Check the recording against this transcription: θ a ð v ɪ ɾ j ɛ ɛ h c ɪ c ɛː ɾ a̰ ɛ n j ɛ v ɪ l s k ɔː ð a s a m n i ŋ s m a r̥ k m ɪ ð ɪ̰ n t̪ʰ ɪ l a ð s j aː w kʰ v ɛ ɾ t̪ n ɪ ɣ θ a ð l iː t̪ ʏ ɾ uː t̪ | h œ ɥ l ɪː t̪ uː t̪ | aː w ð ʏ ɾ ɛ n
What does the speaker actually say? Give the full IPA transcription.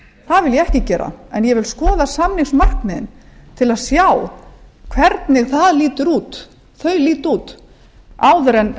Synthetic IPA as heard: θ a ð v ɪ l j ɛ ɛ h c ɪ c ɛː ɾ a̰ ɛ n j ɛ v ɪ l s k ɔː ð a s a m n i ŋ s m a r̥ k m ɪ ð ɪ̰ n t̪ʰ ɪ l a ð s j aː w kʰ v ɛ ɾ t̪ n ɪ ɣ θ a ð l iː t̪ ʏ ɾ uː t̪ | θ œ ɥ l iː t̪ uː t̪ | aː w ð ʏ ɾ ɛ n